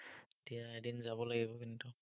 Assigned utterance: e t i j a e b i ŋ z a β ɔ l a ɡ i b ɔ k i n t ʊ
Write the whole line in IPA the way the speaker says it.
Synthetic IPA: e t i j a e d i n z a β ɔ l a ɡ i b ɔ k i n t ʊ